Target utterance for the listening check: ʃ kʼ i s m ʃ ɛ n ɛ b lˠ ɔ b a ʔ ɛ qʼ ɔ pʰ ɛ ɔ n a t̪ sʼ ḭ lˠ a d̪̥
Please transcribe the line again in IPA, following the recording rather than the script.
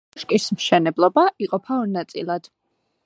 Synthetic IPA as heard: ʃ kʼ i s m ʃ ɛ n ɛ b lˠ ɔ b a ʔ i qʼ ɔ pʰ a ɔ n a t̪ sʼ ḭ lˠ a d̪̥